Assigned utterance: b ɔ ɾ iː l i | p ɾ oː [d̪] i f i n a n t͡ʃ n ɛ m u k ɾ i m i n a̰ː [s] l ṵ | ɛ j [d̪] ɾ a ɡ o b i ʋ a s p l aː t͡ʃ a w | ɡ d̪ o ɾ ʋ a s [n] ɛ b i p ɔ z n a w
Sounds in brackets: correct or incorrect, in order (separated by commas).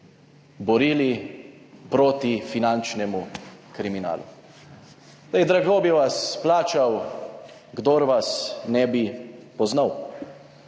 incorrect, incorrect, correct, correct